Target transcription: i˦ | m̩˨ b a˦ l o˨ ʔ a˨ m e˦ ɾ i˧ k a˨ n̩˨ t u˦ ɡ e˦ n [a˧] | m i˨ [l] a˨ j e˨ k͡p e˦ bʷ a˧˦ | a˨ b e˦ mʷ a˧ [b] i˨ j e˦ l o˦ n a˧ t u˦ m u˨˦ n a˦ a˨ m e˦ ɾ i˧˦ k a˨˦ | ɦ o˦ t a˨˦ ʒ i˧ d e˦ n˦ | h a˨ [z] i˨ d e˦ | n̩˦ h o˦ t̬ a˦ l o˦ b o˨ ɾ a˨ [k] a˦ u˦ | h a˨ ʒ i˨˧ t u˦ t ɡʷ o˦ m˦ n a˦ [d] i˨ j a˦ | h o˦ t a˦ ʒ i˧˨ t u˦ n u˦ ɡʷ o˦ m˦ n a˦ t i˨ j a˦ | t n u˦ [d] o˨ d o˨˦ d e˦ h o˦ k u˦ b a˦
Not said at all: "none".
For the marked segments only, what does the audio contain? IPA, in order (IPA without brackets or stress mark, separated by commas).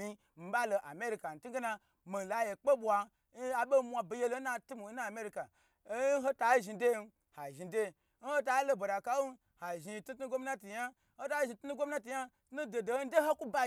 a˧, l, b, ʒ, k, t, d